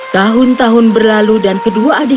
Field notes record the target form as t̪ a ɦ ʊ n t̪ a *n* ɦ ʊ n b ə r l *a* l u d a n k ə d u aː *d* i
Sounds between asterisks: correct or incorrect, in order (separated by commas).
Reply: incorrect, correct, correct